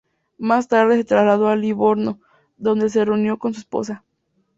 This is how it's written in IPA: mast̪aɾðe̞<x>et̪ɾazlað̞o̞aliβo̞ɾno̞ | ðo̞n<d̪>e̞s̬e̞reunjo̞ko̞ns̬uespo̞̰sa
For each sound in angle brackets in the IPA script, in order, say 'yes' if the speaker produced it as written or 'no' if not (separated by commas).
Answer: no, yes